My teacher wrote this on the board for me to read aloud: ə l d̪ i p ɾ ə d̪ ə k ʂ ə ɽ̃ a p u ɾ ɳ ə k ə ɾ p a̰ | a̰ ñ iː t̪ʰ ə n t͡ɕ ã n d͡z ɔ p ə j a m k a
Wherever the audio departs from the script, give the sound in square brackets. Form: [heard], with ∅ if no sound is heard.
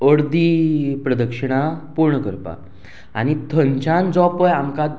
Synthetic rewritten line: ə [ɽ] d̪ i p ɾ ə d̪ ə k ʂ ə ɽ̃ a p u ɾ ɳ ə k ə ɾ p a̰ | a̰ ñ [i] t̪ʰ ə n t͡ɕ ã n d͡z ɔ p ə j a m k a